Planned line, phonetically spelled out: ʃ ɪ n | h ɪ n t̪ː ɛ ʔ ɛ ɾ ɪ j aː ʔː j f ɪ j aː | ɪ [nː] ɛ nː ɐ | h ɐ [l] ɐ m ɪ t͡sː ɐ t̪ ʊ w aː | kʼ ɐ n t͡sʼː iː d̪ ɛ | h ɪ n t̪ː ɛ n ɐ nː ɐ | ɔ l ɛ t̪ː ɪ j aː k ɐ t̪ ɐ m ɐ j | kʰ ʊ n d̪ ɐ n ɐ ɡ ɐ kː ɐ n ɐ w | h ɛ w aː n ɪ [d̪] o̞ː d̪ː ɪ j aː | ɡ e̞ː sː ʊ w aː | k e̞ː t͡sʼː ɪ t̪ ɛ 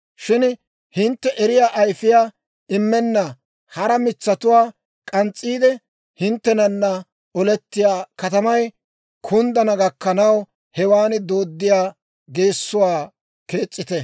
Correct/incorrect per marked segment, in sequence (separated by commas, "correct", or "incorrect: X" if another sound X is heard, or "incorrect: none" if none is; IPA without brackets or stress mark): incorrect: mː, incorrect: ɾ, correct